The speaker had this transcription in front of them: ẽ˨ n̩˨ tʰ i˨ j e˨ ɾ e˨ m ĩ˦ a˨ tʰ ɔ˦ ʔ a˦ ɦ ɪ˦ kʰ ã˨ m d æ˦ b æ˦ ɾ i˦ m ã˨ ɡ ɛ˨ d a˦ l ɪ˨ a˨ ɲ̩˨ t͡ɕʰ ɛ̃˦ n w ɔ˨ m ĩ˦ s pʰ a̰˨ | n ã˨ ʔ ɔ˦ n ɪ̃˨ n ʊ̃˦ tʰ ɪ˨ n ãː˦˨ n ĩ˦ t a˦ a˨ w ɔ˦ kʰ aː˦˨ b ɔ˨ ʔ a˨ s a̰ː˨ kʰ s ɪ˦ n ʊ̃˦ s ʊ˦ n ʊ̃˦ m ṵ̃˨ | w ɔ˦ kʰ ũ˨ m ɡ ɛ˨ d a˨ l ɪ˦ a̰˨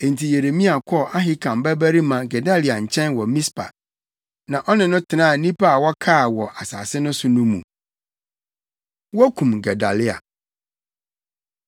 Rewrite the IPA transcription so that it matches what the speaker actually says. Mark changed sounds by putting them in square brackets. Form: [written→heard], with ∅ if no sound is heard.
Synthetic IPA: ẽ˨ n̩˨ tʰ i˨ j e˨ ɾ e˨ m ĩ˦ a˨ [tʰ→kʰ] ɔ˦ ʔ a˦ ɦ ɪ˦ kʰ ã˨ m [d→b] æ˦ b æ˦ ɾ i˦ m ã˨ ɡ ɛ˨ d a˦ l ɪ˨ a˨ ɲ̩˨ t͡ɕʰ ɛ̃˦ n w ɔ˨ m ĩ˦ s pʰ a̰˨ | n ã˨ ʔ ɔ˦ n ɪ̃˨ n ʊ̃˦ tʰ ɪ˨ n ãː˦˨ n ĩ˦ [t→p] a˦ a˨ w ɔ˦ kʰ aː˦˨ [b→w] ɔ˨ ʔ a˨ s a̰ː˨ [kʰ→∅] s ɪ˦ n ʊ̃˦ s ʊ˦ n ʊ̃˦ m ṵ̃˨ | w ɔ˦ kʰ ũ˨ m ɡ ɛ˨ d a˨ l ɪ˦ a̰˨